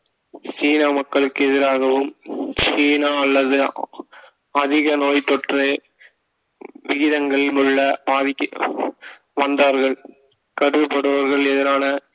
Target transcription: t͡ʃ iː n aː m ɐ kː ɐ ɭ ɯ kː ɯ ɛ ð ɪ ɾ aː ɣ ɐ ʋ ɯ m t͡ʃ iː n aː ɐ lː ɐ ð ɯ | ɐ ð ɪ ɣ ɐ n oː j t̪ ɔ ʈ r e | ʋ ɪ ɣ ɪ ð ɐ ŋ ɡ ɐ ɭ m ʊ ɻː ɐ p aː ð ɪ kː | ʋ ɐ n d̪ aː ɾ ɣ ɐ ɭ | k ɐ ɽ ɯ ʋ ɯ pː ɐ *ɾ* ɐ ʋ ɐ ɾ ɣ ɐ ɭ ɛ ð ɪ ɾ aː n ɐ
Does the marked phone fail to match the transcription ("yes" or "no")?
yes